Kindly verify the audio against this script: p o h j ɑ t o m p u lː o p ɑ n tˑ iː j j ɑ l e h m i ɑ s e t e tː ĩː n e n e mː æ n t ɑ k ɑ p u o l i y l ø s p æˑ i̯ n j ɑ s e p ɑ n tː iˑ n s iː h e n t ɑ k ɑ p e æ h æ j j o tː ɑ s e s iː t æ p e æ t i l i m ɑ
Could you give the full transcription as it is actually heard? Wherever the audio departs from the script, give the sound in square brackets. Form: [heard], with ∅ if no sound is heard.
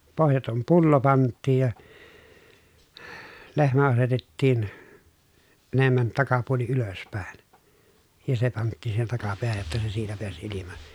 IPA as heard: p o h j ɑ t o m p u lː o p ɑ n tˑ iː j j ɑ l e h m [æ] ɑ s e t e tː [iː] n e n e mː æ n t ɑ k ɑ p u o l i y l ø s p æˑ i̯ n j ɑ s e p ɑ n tː iˑ n s iː h e n t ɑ k ɑ p e æ h æ j j o tː ɑ s e s iː t æ p e æ [s] i l i m ɑ